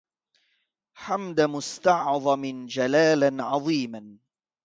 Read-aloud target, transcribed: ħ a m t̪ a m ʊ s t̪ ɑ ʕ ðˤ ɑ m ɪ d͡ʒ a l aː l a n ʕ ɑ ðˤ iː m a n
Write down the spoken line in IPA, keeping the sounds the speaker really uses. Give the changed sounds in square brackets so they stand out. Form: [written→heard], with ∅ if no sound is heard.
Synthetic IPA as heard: ħ a m [t̪→d̪] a m ʊ s t̪ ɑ ʕ ðˤ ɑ m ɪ d͡ʒ a l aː l a n ʕ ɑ ðˤ iː m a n